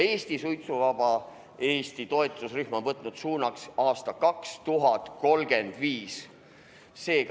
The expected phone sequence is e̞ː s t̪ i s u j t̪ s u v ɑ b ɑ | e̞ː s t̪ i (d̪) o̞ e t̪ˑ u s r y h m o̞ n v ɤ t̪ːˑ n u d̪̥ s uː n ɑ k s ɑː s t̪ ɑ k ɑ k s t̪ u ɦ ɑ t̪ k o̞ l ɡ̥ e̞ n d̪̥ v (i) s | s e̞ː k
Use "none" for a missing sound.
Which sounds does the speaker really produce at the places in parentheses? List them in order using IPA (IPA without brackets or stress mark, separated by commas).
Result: t̪, iː